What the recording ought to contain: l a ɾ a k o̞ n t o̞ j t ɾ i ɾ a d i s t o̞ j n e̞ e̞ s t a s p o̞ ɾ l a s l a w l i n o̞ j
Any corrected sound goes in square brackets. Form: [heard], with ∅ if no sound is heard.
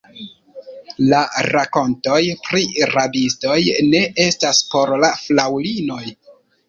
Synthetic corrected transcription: l a ɾ a k o̞ n t o̞ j [p] ɾ i ɾ a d i s t o̞ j n e̞ e̞ s t a s p o̞ ɾ l a [f] l a w l i n o̞ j